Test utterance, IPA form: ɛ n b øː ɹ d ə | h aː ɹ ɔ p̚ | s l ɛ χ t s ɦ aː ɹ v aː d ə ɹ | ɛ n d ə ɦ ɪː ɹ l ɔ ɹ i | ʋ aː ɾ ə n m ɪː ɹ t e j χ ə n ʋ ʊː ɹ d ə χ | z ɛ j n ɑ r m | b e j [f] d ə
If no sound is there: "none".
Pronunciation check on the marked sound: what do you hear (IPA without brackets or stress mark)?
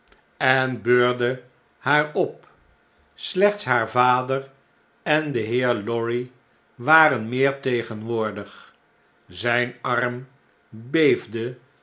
v